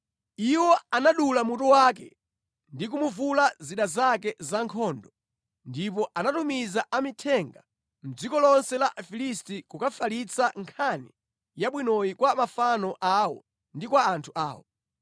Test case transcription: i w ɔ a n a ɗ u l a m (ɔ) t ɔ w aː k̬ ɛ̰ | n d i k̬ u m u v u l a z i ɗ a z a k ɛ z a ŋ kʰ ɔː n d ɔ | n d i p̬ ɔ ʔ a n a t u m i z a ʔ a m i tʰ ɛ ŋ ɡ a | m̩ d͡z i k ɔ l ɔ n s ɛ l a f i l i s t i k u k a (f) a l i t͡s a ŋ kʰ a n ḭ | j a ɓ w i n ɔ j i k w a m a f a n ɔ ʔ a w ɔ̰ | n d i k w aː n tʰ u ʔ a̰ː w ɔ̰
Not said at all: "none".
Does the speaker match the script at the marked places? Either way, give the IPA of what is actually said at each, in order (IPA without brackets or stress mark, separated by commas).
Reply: u, f